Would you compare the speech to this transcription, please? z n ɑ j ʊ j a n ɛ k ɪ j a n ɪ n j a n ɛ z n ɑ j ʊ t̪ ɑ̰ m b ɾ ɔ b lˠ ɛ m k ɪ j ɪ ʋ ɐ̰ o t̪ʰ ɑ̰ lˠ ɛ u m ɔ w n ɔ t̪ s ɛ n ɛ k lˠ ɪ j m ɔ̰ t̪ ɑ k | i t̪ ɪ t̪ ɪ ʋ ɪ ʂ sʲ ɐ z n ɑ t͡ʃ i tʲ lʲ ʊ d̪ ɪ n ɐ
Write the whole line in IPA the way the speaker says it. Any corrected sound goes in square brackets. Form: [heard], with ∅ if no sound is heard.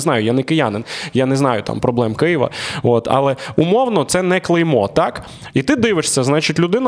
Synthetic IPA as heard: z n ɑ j ʊ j a n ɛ k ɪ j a n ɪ n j a n ɛ z n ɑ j ʊ t̪ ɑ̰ m [p] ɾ ɔ b lˠ ɛ m k ɪ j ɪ ʋ ɐ̰ o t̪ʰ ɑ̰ lˠ ɛ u m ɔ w n ɔ t̪ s ɛ n ɛ k lˠ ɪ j m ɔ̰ t̪ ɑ k | i t̪ ɪ [d̪] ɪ ʋ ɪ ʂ sʲ ɐ z n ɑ t͡ʃ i tʲ lʲ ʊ d̪ ɪ n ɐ